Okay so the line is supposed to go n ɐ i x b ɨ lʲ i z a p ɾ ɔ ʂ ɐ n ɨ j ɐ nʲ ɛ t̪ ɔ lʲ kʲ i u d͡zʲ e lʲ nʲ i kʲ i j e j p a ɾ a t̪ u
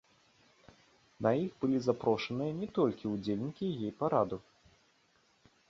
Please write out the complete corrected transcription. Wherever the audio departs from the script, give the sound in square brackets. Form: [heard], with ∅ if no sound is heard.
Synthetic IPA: n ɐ i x b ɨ lʲ i z a p ɾ ɔ ʂ ɐ n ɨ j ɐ nʲ ɛ t̪ ɔ lʲ kʲ i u d͡zʲ e lʲ nʲ i kʲ i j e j p a ɾ a [d̪] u